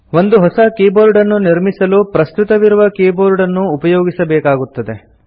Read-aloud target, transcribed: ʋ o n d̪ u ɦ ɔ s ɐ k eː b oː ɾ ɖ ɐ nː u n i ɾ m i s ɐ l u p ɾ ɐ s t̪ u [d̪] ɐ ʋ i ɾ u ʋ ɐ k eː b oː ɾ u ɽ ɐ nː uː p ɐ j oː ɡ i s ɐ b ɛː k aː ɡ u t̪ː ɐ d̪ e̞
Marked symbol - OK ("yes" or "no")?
no